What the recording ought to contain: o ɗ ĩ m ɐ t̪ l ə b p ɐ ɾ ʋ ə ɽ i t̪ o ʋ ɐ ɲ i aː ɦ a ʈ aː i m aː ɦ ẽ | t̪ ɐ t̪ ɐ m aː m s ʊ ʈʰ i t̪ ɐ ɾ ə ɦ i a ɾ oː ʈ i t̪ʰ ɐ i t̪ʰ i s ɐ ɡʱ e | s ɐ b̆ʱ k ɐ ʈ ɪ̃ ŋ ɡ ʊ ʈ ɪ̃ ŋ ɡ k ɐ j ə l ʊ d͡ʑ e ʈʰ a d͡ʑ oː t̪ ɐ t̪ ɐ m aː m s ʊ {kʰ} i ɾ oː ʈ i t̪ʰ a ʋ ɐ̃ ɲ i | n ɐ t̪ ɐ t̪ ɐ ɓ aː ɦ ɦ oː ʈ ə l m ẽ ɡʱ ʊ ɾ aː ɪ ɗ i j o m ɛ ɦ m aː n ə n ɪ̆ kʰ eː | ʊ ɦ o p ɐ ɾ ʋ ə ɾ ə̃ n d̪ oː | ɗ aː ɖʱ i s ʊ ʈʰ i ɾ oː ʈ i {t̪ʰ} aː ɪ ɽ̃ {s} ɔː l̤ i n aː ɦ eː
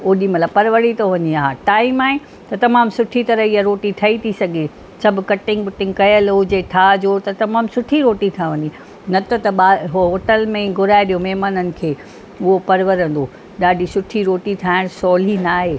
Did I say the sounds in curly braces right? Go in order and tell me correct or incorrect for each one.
incorrect, correct, correct

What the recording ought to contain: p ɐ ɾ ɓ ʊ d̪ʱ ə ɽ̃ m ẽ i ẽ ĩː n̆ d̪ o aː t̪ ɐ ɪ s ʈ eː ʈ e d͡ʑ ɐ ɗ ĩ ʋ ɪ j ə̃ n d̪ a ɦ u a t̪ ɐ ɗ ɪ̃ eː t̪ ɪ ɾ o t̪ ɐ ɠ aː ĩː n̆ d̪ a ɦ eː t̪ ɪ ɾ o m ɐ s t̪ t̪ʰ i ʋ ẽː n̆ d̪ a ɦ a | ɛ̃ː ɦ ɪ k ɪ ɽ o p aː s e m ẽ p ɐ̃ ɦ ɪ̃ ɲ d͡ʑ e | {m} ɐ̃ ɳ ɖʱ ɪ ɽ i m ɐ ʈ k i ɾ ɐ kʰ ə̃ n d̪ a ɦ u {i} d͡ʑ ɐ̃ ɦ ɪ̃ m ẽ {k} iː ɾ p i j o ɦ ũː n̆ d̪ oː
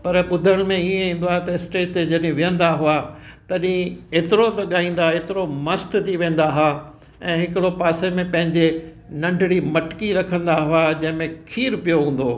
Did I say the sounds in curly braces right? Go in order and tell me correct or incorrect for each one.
incorrect, incorrect, incorrect

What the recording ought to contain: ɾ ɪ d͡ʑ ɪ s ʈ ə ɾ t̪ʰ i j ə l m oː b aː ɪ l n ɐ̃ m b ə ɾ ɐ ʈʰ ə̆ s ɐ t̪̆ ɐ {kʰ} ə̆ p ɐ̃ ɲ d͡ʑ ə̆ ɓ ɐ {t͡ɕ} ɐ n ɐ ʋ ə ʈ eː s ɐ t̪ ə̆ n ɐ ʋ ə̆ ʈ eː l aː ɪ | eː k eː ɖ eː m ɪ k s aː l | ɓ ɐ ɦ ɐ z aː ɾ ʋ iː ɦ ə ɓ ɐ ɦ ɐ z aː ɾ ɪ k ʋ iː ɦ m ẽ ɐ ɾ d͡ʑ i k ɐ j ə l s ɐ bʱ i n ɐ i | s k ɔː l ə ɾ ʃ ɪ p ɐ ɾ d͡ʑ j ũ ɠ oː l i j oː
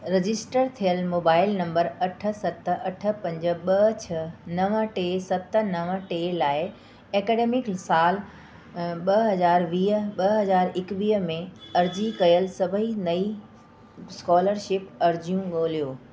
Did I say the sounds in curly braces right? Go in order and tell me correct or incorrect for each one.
incorrect, incorrect

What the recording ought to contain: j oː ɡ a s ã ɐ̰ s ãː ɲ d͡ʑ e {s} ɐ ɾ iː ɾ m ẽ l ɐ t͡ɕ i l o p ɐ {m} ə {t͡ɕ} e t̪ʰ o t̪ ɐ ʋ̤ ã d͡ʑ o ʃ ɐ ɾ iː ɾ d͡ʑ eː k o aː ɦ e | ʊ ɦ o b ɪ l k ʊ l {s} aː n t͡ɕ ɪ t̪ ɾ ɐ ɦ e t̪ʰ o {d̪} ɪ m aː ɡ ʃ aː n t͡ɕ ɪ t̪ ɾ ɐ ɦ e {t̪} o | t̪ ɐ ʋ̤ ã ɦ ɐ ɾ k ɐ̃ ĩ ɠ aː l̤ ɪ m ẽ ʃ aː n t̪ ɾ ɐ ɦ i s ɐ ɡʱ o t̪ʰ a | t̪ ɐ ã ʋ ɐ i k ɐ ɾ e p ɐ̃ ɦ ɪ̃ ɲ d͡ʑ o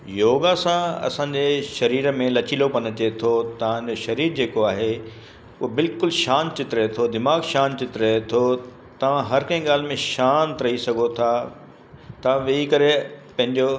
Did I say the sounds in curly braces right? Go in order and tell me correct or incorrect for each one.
incorrect, incorrect, correct, incorrect, correct, incorrect

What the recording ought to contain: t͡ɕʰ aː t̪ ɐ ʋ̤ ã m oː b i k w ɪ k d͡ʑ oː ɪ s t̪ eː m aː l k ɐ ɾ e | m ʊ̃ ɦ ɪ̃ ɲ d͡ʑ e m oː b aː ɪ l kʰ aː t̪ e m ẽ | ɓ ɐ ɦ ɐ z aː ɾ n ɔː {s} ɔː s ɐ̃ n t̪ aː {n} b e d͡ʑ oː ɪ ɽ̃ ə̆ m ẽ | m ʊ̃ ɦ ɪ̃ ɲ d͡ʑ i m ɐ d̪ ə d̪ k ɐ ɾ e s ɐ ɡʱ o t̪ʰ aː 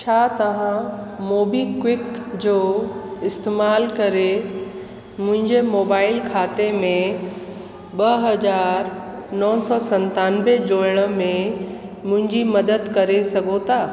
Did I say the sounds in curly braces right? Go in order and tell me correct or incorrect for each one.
correct, correct

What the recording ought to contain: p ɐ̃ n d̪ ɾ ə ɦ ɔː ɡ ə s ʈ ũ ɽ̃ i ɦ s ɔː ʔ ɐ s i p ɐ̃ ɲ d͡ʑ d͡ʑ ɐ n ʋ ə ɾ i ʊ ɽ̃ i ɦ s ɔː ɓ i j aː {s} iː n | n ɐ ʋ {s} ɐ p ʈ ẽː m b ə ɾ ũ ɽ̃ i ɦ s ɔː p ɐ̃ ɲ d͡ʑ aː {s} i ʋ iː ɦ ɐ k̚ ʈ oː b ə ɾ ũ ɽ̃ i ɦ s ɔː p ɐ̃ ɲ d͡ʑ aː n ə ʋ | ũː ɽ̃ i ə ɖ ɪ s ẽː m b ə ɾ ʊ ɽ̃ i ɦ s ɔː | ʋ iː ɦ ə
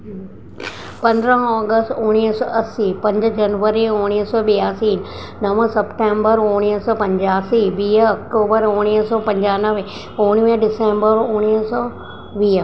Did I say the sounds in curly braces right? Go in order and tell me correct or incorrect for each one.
correct, correct, correct

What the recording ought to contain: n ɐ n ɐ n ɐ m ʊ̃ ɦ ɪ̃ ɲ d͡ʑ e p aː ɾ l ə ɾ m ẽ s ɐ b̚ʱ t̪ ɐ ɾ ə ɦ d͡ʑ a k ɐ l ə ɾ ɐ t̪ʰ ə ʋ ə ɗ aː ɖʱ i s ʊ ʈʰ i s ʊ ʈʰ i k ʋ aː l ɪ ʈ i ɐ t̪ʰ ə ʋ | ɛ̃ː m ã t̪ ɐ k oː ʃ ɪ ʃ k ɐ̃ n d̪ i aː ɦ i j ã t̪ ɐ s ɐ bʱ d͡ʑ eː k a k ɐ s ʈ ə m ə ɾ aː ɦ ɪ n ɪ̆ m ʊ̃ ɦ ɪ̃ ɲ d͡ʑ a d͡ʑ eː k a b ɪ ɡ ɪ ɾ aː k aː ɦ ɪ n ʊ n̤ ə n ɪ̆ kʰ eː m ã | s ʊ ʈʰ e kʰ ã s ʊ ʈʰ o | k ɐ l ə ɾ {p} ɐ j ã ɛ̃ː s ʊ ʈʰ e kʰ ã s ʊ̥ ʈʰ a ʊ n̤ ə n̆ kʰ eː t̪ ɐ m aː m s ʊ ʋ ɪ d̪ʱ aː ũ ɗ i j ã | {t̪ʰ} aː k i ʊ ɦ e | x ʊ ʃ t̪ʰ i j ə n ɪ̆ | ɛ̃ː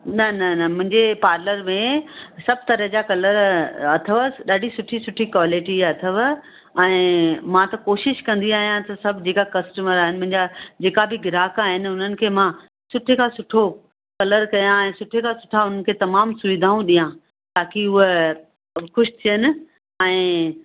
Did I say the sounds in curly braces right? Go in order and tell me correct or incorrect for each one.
incorrect, incorrect

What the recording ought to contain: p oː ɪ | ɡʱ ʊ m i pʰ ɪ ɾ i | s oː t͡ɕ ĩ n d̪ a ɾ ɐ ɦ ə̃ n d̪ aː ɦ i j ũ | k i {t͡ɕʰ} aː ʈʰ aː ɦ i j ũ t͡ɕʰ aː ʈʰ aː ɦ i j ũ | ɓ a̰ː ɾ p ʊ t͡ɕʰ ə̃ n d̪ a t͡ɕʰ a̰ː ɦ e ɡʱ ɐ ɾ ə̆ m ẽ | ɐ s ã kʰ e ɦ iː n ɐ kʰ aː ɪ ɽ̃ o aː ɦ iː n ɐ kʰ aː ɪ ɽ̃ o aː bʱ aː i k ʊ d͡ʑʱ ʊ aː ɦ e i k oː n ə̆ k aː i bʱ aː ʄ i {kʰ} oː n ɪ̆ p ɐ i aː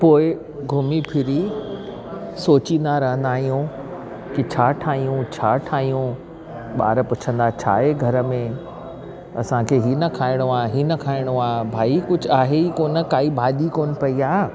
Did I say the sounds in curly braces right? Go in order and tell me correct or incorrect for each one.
correct, incorrect

